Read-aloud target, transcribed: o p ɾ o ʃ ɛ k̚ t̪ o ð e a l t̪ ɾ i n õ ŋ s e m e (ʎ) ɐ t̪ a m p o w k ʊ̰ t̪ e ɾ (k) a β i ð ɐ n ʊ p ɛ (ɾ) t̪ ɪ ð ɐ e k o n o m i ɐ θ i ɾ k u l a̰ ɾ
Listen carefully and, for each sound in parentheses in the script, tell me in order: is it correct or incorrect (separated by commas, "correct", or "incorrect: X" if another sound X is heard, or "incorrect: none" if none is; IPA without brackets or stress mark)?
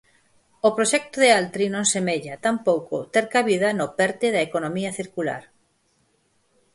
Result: correct, correct, correct